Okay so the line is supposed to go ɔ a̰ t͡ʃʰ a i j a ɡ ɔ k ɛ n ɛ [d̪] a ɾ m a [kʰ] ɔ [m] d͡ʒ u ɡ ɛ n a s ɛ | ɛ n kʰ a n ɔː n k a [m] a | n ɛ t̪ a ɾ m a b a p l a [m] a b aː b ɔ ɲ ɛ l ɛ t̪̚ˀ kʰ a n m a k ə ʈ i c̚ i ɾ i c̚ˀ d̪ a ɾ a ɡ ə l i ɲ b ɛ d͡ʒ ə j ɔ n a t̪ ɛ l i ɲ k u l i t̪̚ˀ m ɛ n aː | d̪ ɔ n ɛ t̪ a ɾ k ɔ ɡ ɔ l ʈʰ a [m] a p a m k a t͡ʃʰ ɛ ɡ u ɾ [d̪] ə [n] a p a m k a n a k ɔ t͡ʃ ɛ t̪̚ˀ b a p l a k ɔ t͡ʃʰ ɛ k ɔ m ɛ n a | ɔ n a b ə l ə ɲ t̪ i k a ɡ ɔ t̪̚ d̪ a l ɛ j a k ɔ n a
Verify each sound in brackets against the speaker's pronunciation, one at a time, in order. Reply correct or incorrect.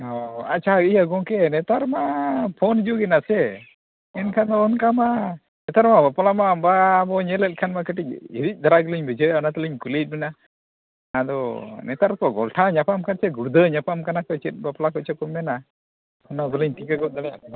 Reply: incorrect, incorrect, incorrect, correct, correct, incorrect, correct, incorrect

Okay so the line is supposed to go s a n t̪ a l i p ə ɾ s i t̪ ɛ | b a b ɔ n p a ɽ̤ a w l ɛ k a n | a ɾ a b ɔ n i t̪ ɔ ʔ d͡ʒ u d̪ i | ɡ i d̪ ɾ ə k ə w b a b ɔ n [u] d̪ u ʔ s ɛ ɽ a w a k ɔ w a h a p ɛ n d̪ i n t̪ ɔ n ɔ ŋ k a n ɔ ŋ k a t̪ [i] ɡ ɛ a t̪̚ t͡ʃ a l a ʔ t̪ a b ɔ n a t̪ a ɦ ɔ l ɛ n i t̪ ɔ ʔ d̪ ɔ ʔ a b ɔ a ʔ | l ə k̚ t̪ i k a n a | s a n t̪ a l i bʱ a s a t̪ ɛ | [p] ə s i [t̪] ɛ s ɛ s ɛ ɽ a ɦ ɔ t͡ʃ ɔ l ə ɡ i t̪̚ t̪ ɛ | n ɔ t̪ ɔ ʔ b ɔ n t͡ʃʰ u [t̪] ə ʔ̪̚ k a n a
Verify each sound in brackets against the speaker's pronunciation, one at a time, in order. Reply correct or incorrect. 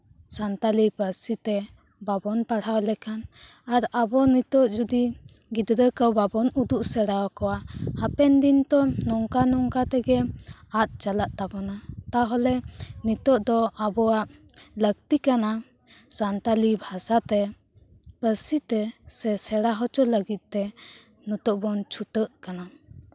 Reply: correct, incorrect, correct, correct, correct

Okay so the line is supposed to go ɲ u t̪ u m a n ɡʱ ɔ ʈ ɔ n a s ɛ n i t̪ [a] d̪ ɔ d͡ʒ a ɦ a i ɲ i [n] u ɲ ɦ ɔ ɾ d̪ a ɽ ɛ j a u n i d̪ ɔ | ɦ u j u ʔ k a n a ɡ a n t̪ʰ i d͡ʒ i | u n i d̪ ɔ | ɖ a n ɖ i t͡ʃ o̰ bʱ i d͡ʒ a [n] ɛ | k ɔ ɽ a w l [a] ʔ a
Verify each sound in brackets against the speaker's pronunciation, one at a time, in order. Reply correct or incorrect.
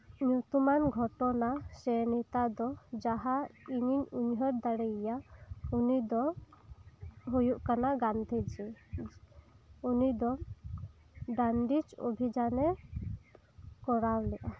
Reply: correct, incorrect, correct, incorrect

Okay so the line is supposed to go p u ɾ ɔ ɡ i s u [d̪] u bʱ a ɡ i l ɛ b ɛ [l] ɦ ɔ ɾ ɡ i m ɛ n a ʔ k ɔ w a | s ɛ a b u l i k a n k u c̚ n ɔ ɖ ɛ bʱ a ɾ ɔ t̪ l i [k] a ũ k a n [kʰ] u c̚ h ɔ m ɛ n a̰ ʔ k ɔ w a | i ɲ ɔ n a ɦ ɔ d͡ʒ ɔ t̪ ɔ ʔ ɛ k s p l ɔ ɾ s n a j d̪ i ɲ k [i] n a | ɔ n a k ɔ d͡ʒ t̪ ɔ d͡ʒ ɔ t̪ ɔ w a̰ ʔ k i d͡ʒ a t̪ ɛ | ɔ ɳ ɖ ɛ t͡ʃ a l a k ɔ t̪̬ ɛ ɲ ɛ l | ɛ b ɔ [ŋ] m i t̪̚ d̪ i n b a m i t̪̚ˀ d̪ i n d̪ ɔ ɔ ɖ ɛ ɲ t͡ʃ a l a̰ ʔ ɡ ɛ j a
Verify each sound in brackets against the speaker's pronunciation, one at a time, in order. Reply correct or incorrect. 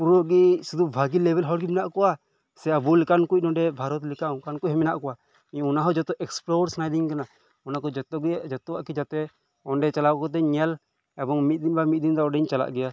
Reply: correct, correct, correct, incorrect, incorrect, correct

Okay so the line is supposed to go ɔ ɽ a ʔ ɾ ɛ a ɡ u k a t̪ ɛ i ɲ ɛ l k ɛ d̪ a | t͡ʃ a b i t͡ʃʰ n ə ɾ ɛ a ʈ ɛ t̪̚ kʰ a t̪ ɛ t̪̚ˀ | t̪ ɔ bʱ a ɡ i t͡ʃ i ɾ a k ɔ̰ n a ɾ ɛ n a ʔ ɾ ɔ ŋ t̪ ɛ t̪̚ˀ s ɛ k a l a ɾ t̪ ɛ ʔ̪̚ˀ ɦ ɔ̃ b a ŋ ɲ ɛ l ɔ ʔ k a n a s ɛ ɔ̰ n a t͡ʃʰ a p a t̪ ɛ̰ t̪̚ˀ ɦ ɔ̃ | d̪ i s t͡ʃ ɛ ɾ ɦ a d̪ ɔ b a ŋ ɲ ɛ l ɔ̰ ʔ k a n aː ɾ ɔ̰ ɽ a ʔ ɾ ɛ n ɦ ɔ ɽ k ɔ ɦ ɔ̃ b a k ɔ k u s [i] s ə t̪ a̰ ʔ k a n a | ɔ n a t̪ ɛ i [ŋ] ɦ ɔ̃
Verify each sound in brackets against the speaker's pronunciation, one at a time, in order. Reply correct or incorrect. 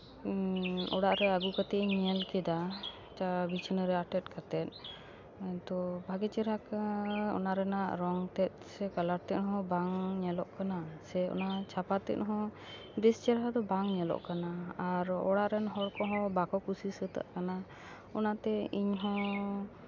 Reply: correct, incorrect

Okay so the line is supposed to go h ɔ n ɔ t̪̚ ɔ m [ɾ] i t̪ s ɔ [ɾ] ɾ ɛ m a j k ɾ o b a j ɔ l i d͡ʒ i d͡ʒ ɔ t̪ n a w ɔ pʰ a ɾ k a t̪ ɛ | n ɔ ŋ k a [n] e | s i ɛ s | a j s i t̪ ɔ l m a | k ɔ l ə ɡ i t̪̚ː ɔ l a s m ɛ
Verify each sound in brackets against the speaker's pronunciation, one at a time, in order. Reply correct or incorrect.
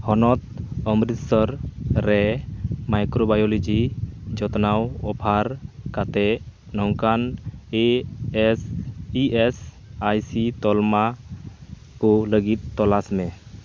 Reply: correct, correct, correct

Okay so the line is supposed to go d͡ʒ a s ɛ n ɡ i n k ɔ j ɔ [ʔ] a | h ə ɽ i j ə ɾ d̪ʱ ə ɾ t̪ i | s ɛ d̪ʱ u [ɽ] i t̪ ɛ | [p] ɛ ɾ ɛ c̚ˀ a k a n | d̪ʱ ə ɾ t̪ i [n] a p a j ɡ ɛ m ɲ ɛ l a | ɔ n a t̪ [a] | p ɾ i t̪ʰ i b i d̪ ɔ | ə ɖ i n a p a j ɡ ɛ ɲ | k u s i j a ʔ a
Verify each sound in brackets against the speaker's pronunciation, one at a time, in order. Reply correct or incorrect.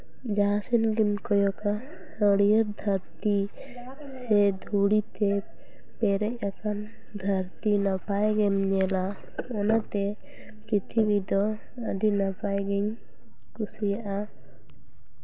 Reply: incorrect, correct, correct, correct, incorrect

